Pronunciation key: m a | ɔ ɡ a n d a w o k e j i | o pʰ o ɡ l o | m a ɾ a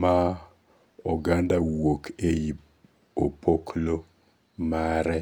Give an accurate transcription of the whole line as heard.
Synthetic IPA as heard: m a | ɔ ɡ a n d a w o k e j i | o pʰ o k l o | m a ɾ ɛ